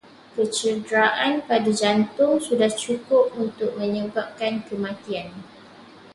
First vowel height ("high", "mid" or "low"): mid